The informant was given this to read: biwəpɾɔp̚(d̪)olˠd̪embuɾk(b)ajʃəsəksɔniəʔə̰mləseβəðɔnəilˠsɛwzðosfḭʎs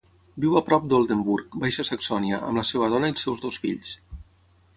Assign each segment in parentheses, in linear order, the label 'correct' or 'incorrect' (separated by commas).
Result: correct, correct